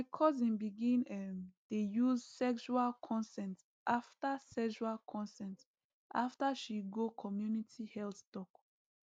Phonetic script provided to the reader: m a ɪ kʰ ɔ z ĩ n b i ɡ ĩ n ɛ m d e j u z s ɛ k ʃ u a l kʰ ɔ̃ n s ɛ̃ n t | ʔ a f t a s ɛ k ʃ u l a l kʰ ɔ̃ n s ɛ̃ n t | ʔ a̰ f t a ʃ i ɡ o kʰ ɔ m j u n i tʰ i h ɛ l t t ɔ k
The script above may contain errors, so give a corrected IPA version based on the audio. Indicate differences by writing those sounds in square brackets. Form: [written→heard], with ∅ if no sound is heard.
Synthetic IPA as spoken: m a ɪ kʰ ɔ z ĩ n b i ɡ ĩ n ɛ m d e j u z s ɛ k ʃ u a l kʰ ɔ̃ n s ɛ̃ n t | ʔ a f t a s ɛ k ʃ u [l→∅] a l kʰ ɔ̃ n s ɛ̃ n t | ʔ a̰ f t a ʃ i ɡ o kʰ ɔ m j u n i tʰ i h ɛ l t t ɔ k